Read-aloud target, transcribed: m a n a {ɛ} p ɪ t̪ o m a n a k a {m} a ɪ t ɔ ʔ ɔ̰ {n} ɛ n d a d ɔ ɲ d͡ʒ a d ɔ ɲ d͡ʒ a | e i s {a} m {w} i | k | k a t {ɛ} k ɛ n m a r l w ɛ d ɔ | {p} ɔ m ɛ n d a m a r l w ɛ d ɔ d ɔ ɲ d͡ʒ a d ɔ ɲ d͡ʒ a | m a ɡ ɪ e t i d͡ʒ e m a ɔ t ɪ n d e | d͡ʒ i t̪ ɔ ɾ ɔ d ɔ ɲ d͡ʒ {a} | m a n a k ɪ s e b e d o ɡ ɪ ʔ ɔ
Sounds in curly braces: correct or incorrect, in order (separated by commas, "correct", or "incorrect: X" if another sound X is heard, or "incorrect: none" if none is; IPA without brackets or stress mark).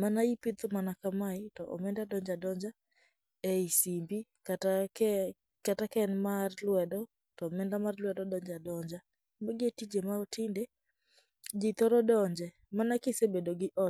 incorrect: i, correct, incorrect: m, incorrect: i, incorrect: b, incorrect: a, incorrect: t, incorrect: ɛ